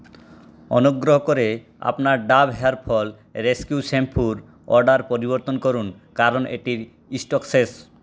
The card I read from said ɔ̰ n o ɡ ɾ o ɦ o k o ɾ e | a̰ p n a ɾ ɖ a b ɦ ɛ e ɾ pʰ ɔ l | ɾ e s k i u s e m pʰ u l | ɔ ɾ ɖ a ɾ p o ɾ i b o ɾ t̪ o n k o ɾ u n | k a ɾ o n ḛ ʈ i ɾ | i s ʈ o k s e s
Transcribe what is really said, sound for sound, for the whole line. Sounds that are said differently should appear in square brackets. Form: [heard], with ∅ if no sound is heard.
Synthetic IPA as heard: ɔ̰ n o ɡ ɾ o ɦ o k o ɾ e | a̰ p n a ɾ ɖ a b ɦ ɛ [a] ɾ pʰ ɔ l | ɾ e s k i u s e m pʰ u [ɾ] | ɔ ɾ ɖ a ɾ p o ɾ i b o ɾ t̪ o n k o ɾ u n | k a ɾ o n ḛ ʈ i ɾ | i s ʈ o k s e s

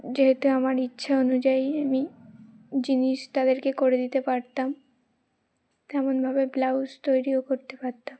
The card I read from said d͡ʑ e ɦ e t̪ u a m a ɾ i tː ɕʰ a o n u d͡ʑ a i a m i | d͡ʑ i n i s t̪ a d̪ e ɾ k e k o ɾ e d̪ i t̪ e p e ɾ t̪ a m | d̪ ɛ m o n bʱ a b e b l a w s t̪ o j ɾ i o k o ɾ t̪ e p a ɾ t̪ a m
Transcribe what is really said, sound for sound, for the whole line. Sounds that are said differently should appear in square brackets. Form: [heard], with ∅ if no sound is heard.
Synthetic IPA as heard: d͡ʑ e ɦ e t̪ u a m a ɾ i tː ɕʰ a o n u d͡ʑ a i a m i | d͡ʑ i n i [ʃ] t̪ a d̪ e ɾ k e k o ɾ e d̪ i t̪ e p [a] ɾ t̪ a m | [t̪] ɛ m o n bʱ a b e b l a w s t̪ o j ɾ i o k o ɾ t̪ e p a ɾ t̪ a m

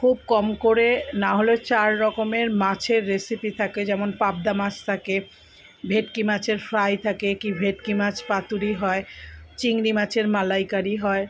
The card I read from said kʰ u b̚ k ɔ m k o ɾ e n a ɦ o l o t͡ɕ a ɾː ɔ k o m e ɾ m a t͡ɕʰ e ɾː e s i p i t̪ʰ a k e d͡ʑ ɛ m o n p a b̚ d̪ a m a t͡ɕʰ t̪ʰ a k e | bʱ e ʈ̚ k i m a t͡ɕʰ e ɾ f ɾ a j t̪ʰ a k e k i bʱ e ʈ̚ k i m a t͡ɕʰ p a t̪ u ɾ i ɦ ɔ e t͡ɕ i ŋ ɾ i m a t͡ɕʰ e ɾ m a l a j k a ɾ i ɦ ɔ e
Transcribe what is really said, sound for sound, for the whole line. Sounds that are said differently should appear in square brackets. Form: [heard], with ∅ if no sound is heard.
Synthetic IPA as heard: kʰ u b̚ k ɔ m k o ɾ e n a ɦ o l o t͡ɕ a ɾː ɔ k o m e ɾ m a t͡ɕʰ e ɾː e s i p i t̪ʰ a k e d͡ʑ ɛ m o n p a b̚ d̪ a m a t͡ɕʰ t̪ʰ a k e | bʱ e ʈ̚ k i m a t͡ɕʰ e ɾ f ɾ a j t̪ʰ a k e k i bʱ e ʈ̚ k i m a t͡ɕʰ p a t̪ u ɾ i ɦ ɔ e t͡ɕ i ŋ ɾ i m a t͡ɕʰ e ɾ m a l a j k a ɾ i ɦ ɔ e

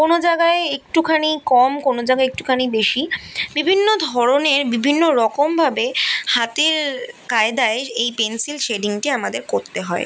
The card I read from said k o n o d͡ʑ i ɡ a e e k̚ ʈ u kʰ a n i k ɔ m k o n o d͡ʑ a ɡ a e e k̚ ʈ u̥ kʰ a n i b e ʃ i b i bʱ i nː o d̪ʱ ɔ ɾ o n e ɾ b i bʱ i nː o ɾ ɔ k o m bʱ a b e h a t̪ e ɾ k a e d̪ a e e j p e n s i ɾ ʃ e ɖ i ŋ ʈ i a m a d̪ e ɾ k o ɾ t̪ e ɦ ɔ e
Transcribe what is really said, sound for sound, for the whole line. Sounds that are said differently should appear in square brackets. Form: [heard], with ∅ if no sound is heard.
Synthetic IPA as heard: k o n o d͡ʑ [a] ɡ a e e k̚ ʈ u kʰ a n i k ɔ m k o n o d͡ʑ a ɡ a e e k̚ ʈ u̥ kʰ a n i b e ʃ i b i bʱ i nː o d̪ʱ ɔ ɾ o n e ɾ b i bʱ i nː o ɾ ɔ k o m bʱ a b e h a t̪ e ɾ k a e d̪ a e e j p e n s i [l] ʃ e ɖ i ŋ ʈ i a m a d̪ e ɾ k o ɾ t̪ e ɦ ɔ e

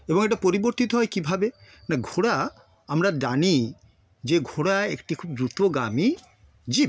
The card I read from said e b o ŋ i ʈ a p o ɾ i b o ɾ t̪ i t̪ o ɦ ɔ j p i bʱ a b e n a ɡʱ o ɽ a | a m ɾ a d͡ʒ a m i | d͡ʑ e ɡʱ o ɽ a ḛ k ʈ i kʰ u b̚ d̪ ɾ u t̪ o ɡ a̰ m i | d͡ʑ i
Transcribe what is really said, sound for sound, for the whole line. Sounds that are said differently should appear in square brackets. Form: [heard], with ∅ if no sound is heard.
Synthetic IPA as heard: e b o ŋ [e] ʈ a p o ɾ i b o ɾ t̪ i t̪ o ɦ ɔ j [k] i bʱ a b e n a ɡʱ o ɽ a | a m ɾ a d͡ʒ a [n] i | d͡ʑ e ɡʱ o ɽ a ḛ k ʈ i kʰ u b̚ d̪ ɾ u t̪ o ɡ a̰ m i | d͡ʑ i

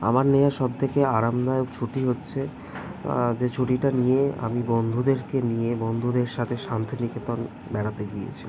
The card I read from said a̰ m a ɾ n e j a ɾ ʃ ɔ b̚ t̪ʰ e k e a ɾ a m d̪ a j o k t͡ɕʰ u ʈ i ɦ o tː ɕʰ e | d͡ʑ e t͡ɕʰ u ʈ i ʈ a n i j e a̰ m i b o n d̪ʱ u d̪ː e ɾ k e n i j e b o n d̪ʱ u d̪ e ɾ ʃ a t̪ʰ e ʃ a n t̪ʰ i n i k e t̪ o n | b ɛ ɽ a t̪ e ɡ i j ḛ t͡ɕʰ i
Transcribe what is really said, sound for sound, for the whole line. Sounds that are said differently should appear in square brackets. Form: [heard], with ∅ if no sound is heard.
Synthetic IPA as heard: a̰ m a ɾ n e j a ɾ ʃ ɔ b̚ t̪ʰ e k e a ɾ a m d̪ a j o k t͡ɕʰ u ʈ i ɦ o tː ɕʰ e | d͡ʑ e t͡ɕʰ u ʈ i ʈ a n i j e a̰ m i b o n d̪ʱ u [d̪] e ɾ k e n i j e b o n d̪ʱ u d̪ e ɾ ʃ a t̪ʰ e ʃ a n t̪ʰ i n i k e t̪ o n | b ɛ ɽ a t̪ e ɡ i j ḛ t͡ɕʰ i

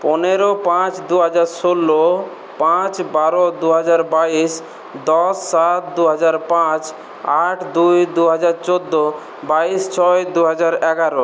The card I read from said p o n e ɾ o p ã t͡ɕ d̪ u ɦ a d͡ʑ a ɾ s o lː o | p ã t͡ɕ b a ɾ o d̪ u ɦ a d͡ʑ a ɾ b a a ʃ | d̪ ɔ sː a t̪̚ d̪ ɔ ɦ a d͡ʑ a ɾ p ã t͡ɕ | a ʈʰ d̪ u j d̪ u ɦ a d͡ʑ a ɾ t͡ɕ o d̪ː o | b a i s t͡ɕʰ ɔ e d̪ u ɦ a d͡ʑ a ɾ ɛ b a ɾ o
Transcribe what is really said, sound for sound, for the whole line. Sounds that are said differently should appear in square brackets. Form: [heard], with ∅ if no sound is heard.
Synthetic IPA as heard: p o n e ɾ o p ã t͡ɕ d̪ u ɦ a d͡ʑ a ɾ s o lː o | p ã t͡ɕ b a ɾ o d̪ u ɦ a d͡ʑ a ɾ b a [i] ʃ | d̪ ɔ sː a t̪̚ d̪ [u] ɦ a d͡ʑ a ɾ p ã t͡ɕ | a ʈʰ d̪ u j d̪ u ɦ a d͡ʑ a ɾ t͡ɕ o d̪ː o | b a i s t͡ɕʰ ɔ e d̪ u ɦ a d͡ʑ a ɾ ɛ [ɡ] a ɾ o

